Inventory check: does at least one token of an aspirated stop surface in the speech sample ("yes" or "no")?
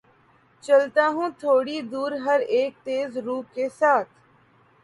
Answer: yes